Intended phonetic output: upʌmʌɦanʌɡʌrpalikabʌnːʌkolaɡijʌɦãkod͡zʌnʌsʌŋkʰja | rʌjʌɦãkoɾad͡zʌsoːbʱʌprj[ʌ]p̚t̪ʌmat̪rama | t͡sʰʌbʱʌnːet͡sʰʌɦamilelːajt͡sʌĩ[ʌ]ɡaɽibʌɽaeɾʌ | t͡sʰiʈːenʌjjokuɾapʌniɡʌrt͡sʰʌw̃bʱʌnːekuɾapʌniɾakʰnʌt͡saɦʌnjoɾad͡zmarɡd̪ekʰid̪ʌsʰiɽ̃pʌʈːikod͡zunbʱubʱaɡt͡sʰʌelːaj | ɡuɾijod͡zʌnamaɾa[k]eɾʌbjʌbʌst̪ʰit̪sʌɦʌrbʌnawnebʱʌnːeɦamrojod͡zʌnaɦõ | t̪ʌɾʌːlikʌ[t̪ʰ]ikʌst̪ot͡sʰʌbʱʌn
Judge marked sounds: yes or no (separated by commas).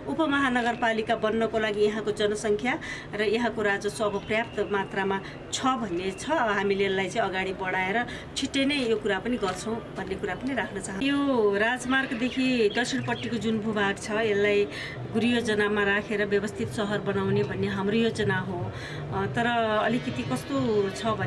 no, yes, no, no